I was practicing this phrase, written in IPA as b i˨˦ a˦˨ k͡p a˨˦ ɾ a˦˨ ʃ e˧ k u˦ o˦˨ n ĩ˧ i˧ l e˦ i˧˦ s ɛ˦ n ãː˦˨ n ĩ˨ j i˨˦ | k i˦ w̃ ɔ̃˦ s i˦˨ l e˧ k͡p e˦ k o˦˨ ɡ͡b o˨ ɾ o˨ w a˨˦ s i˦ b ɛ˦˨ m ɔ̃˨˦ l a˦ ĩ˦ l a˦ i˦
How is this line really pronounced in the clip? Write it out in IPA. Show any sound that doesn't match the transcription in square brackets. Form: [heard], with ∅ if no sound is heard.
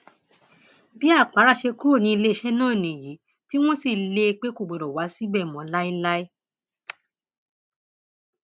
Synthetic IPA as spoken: b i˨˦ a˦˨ k͡p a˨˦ ɾ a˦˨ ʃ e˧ k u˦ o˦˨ n ĩ˧ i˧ l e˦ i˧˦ [ʃ] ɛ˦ n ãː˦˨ n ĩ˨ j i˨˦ | [t] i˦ w̃ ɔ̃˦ s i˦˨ l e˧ k͡p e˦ k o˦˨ ɡ͡b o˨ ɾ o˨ w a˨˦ s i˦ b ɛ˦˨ m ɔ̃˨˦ l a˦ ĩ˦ l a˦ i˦

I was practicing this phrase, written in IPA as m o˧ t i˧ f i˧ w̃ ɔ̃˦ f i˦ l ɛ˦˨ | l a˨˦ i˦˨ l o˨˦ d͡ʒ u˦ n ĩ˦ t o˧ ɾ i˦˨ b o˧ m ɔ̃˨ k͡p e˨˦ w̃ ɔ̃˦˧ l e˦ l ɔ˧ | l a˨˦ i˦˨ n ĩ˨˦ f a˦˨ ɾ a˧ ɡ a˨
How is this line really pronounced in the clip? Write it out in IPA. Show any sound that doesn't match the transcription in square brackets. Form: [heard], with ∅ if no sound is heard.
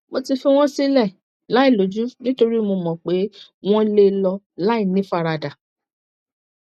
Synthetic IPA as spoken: m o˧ t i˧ f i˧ w̃ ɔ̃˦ [s] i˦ l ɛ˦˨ | l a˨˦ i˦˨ l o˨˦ d͡ʒ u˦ n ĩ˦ t o˧ ɾ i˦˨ [m] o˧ m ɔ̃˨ k͡p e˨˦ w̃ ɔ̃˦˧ l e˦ l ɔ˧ | l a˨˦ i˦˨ n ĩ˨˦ f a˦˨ ɾ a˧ [d] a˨

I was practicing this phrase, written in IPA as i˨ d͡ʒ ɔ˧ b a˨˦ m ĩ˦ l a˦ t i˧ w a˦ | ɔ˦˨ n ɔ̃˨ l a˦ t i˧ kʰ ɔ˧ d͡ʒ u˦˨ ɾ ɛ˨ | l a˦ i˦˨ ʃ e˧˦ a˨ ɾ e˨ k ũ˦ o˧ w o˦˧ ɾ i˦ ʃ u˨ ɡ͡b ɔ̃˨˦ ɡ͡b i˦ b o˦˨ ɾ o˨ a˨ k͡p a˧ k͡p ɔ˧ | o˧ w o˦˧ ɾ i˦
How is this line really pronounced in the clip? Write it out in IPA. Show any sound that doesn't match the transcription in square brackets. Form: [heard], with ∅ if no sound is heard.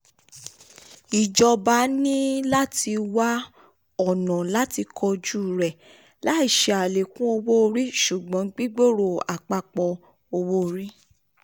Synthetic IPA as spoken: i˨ d͡ʒ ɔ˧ b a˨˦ [n] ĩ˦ l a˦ t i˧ w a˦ | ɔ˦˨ n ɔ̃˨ l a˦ t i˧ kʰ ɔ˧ d͡ʒ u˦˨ ɾ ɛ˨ | l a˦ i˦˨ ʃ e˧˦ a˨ [l] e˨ k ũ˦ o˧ w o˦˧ ɾ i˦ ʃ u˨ ɡ͡b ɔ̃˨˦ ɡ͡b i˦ [ɡ͡b] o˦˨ ɾ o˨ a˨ k͡p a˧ k͡p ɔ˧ | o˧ w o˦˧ ɾ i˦

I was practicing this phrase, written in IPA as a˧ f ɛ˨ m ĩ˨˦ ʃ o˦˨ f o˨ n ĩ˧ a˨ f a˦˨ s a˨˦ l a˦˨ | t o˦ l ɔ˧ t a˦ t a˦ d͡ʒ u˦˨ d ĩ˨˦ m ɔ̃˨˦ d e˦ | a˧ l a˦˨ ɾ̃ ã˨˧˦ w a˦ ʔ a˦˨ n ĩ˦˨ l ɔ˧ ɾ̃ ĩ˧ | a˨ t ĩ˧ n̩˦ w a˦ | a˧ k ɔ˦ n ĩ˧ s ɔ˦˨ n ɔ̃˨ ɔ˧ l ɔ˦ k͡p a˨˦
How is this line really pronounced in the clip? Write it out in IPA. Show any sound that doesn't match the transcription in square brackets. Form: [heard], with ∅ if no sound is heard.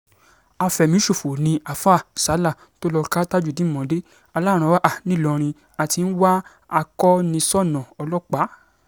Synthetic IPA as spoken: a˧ f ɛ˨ m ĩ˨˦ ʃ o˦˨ f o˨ n ĩ˧ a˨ f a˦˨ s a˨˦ l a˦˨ | t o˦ l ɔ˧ [k] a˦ t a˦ d͡ʒ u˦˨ d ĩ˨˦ m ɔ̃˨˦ d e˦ | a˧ l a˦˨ ɾ̃ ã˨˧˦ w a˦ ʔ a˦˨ n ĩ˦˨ l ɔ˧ ɾ̃ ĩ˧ | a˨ t [i˧] n̩˦ w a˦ | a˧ k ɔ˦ n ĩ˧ s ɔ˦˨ n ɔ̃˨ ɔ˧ l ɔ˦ k͡p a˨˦

